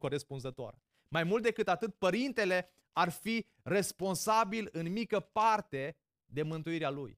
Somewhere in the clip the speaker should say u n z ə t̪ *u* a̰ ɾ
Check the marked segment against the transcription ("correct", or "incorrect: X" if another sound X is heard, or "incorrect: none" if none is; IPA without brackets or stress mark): incorrect: o